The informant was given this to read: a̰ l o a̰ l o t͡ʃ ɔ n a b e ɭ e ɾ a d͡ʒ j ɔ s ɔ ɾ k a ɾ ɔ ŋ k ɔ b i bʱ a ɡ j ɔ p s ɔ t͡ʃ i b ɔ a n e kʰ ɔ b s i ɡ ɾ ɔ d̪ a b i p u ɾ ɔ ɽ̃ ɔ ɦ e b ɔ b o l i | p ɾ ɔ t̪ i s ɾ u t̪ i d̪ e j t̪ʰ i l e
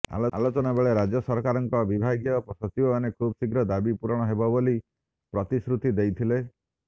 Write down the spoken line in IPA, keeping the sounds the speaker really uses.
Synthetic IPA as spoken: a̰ l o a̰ l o t͡ʃ ɔ n a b e ɭ e ɾ a d͡ʒ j ɔ s ɔ ɾ k a ɾ ɔ ŋ k ɔ b i bʱ a ɡ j ɔ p s ɔ t͡ʃ i b ɔ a n e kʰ u b s i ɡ ɾ ɔ d̪ a b i p u ɾ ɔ ɽ̃ ɔ ɦ e b ɔ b o l i | p ɾ ɔ t̪ i s ɾ u t̪ i d̪ e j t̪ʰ i l e